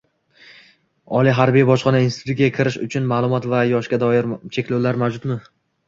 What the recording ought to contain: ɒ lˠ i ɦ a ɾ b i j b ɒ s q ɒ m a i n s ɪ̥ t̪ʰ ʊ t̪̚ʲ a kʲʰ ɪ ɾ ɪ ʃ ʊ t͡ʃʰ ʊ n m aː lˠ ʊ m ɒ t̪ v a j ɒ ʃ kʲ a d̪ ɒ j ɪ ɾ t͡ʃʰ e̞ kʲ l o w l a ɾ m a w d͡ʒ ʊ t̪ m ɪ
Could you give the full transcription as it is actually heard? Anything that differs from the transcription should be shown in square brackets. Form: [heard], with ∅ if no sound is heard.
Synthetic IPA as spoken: ɒ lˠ i ɦ a ɾ b i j b ɒ [ʃ] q ɒ [n] a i n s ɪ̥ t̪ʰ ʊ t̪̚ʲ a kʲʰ ɪ ɾ ɪ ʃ ʊ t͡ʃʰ ʊ n m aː lˠ ʊ m ɒ t̪ v a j ɒ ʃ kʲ a d̪ ɒ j ɪ ɾ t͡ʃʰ e̞ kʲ l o w l a ɾ m a w d͡ʒ ʊ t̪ m ɪ